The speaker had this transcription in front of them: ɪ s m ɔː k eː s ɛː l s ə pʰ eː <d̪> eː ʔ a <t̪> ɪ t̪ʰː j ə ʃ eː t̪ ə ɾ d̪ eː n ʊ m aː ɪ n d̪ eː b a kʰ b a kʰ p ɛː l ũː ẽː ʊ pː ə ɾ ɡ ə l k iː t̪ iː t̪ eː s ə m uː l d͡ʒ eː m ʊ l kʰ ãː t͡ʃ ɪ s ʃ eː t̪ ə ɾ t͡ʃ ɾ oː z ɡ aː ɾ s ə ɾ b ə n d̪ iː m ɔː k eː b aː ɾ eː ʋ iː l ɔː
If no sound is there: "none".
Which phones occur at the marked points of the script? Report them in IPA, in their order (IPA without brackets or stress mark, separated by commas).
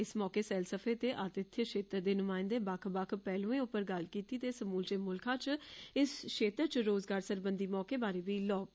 t̪, t̪